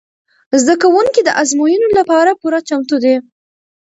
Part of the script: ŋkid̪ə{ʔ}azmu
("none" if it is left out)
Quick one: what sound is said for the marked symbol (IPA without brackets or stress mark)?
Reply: ʔ